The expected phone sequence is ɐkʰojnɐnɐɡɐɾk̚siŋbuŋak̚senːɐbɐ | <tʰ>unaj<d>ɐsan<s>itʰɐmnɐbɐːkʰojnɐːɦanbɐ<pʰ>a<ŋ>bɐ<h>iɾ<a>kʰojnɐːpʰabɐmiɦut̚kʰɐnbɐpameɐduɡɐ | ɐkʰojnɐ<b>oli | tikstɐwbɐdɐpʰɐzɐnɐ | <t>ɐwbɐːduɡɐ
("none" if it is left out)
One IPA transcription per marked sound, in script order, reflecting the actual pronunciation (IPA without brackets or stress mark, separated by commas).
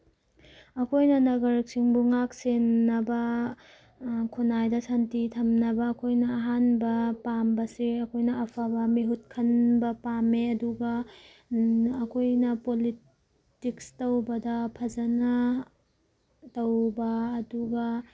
kʰ, d, t, p, m, s, ɐ, p, t